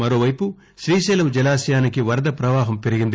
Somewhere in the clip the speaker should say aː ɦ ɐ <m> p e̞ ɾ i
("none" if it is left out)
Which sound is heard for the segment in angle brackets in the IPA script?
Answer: m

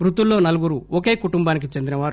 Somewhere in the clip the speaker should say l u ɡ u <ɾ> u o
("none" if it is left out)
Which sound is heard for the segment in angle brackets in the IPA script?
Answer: ɾ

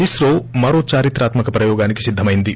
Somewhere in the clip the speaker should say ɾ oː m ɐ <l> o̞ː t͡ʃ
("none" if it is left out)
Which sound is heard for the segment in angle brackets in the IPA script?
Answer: ɾ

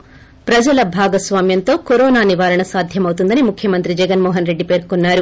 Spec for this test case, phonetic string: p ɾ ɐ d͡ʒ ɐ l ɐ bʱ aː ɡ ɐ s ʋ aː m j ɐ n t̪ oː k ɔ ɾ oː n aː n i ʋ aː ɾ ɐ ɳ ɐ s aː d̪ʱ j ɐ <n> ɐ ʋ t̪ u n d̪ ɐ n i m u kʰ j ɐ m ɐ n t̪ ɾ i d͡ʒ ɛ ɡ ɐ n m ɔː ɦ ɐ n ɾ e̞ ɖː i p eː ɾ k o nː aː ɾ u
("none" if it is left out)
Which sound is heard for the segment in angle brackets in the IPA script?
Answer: m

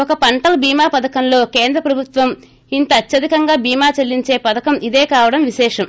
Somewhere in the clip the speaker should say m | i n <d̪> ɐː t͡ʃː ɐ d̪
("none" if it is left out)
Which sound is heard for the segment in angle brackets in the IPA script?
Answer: t̪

